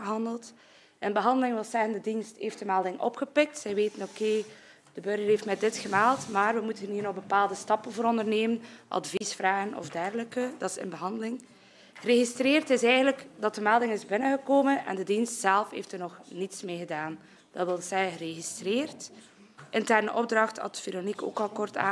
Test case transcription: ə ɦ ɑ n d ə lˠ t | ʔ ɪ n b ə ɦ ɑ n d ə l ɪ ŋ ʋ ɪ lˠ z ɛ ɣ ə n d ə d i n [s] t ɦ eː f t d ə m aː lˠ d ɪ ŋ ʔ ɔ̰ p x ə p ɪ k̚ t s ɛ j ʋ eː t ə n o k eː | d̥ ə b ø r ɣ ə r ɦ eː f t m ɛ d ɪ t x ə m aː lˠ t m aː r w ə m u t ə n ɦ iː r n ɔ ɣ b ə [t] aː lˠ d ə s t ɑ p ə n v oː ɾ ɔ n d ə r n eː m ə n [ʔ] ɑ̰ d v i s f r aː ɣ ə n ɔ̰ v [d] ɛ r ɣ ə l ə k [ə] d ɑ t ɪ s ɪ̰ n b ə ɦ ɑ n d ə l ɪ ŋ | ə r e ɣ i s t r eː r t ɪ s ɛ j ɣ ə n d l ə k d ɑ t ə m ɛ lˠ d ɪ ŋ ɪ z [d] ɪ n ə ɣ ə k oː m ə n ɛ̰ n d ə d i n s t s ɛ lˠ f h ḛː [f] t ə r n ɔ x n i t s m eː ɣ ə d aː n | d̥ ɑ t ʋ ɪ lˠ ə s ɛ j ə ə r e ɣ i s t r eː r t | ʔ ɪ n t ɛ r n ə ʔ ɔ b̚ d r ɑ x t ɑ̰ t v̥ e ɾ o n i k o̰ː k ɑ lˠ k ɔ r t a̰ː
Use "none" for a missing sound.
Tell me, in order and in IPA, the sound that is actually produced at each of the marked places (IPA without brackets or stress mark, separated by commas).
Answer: s, p, ʔ, d, ə, b, f